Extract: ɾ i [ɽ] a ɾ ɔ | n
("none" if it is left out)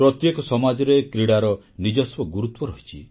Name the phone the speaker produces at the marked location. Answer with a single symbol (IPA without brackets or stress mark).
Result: ɽ